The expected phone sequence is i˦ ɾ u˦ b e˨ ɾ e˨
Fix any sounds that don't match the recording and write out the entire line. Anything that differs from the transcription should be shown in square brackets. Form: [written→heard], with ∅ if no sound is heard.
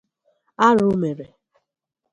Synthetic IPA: [i˦→a˦] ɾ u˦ [b→m] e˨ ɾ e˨